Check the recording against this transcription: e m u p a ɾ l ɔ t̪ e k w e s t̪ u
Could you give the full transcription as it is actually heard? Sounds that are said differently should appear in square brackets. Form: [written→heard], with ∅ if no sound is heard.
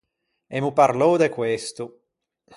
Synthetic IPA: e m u p a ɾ l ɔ [t̪→d̪] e k w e s t̪ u